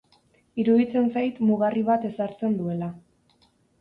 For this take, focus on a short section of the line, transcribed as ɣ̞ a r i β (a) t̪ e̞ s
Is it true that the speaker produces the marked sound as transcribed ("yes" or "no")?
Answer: yes